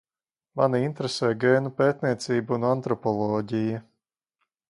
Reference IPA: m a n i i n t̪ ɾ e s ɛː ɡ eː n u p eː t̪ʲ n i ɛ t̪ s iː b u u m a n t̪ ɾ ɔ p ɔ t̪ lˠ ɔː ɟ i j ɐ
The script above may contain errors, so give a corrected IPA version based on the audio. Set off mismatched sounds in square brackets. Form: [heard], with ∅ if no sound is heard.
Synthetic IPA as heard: m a n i i n t̪ ɾ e s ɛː ɡ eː n u p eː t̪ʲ n i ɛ t̪ s iː b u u [n] a n t̪ ɾ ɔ p ɔ [∅] lˠ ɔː ɟ i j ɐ